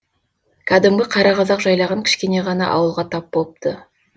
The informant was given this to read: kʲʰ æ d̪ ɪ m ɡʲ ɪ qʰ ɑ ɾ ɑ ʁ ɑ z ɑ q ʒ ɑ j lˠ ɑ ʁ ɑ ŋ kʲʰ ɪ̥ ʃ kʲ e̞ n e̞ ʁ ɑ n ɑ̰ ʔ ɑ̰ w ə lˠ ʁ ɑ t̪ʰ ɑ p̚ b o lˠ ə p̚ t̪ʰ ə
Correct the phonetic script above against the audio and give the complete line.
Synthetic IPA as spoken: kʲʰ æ d̪ ɪ m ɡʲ ɪ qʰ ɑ ɾ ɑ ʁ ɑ z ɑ q ʒ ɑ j lˠ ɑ ʁ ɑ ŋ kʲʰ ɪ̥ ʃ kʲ e̞ n e̞ ʁ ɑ n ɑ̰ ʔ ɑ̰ w ə lˠ ʁ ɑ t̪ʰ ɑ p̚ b o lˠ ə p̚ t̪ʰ ə